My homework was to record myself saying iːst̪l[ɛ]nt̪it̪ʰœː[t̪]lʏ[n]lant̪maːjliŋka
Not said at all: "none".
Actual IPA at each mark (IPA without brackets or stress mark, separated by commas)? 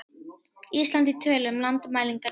a, none, m